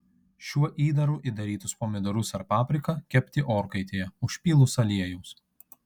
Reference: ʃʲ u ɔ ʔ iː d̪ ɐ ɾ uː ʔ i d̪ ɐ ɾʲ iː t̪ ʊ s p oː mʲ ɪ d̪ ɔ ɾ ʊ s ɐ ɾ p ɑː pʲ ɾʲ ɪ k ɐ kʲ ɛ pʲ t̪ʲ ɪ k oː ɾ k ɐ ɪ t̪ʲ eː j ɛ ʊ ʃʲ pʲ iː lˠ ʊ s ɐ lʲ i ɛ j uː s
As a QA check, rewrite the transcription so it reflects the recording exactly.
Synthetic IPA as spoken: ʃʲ u ɔ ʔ iː d̪ ɐ ɾ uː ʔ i d̪ ɐ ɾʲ iː t̪ ʊ s p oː mʲ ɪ d̪ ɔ ɾ ʊ s ɐ ɾ p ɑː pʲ ɾʲ ɪ k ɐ kʲ ɛ pʲ t̪ʲ ɪ ʔ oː ɾ k ɐ ɪ t̪ʲ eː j ɛ ʊ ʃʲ pʲ iː lˠ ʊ s ɐ lʲ i ɛ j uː s